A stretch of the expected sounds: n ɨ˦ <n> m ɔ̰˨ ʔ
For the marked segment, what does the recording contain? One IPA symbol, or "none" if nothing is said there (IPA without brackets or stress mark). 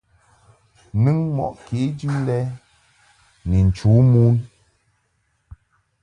ŋ